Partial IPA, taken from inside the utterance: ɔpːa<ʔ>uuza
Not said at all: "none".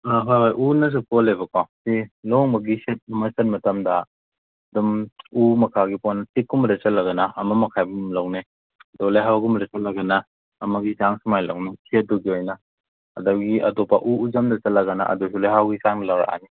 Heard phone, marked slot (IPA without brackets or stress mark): ʔ